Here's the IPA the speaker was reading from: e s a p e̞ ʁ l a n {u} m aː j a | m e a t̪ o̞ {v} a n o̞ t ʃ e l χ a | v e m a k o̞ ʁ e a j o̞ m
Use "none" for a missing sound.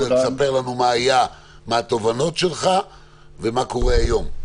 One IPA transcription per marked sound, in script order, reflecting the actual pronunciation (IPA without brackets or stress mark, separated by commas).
u, v